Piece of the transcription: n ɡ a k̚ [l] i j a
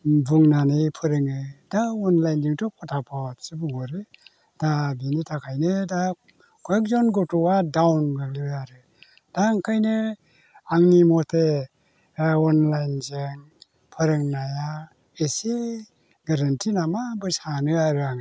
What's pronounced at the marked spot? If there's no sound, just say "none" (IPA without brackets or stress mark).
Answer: l